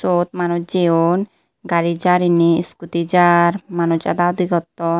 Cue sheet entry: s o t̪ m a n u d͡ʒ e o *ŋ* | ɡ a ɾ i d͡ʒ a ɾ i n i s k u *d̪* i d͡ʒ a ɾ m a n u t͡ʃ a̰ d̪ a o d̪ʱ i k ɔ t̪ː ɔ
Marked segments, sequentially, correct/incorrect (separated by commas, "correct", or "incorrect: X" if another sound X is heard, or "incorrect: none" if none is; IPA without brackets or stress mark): incorrect: n, incorrect: t̪